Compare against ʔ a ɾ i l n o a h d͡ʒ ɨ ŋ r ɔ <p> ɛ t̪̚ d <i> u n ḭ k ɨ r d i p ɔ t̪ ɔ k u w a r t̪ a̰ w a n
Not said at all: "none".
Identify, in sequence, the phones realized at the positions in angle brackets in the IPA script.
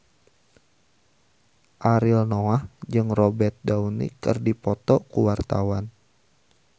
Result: b, a

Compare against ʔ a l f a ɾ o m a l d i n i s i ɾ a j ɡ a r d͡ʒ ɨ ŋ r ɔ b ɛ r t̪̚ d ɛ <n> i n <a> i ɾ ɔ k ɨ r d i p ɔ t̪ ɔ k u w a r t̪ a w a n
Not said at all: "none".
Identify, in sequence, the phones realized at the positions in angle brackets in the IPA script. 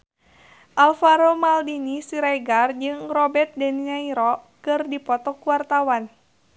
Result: n, a

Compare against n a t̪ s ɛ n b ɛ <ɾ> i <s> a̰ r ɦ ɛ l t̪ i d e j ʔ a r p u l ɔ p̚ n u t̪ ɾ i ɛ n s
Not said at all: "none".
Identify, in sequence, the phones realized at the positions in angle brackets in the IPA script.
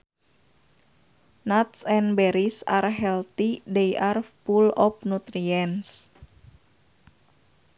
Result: ɾ, s

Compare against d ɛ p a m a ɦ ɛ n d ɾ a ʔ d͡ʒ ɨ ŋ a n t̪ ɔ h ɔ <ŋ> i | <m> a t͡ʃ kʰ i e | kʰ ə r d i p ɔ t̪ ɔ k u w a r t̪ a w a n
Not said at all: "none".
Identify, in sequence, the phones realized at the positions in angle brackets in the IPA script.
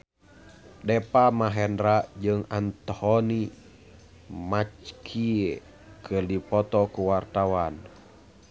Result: n, m

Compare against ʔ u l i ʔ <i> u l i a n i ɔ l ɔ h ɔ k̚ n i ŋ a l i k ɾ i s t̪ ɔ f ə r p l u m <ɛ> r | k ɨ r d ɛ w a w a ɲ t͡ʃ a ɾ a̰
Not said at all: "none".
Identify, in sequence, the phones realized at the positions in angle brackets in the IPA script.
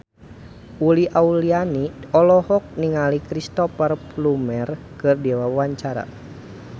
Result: a, ɛ

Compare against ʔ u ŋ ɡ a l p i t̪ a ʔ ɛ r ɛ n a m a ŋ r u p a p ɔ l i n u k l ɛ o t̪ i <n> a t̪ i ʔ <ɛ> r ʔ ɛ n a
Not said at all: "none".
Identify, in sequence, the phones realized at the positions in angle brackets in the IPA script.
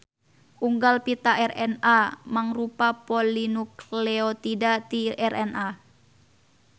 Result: d, ɛ

